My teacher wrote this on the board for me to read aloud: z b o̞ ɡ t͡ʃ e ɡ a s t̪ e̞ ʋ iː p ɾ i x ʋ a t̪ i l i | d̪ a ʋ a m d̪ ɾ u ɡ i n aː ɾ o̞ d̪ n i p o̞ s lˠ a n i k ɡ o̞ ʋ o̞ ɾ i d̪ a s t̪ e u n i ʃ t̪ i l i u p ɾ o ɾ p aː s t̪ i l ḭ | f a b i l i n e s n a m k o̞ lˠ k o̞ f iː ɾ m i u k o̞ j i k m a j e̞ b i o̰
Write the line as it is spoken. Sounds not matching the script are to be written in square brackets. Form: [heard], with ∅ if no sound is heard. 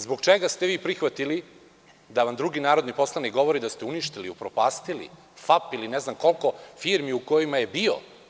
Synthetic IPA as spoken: z b o̞ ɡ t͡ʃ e ɡ a s t̪ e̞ ʋ iː p ɾ i x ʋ a t̪ i l i | d̪ a ʋ a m d̪ ɾ u ɡ i n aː ɾ o̞ d̪ n i p o̞ s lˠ a n i k ɡ o̞ ʋ o̞ ɾ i d̪ a s t̪ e u n i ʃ t̪ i l i u p ɾ o [∅] p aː s t̪ i l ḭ | f a [p] i l i n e [z] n a m k o̞ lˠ k o̞ f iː ɾ m i u k o̞ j i [∅] m a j e̞ b i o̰